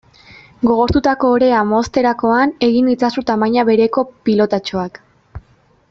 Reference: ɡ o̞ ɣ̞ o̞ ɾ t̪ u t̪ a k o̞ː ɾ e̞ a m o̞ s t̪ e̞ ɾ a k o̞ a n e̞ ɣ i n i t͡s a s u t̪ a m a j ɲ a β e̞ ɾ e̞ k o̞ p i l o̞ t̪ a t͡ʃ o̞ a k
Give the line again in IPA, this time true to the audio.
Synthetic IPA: ɡ o̞ ɣ̞ o̞ ɾ t̪ u t̪ a k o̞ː ɾ e̞ a m o̞ s t̪ e̞ ɾ a k o̞ a n e̞ ɣ i n i t͡s a s u t̪ a m a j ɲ a β e̞ ɾ e̞ k o̞ p i l o̞ t̪ a t͡ʃ o̞ a k